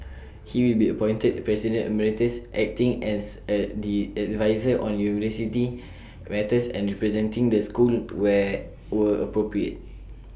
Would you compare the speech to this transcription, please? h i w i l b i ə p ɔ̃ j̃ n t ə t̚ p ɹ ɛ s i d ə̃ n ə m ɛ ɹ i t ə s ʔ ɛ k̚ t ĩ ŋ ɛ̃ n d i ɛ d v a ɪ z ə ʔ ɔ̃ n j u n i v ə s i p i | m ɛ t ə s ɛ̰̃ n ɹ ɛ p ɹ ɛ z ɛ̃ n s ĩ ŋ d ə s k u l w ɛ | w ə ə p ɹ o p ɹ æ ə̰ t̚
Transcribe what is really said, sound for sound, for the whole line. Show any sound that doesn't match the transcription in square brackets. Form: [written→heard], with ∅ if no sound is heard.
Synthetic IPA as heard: h i w i l b i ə p ɔ̃ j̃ n t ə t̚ p ɹ ɛ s i d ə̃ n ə m ɛ ɹ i t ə s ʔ ɛ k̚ t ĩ ŋ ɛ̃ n d i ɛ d v a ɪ z ə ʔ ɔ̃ n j u n i v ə s i [p→t] i | m ɛ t ə s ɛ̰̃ n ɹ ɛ p ɹ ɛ z ɛ̃ n [s→t] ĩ ŋ d ə s k u l w ɛ | w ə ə p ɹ o p ɹ [æ→i] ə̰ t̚